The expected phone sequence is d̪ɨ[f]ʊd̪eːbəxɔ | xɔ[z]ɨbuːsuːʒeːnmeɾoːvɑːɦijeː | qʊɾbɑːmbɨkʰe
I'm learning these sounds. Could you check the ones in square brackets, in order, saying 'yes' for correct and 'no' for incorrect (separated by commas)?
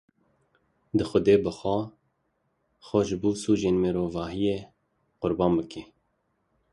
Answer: no, no